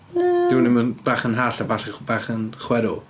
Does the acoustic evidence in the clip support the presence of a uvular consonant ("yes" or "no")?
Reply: yes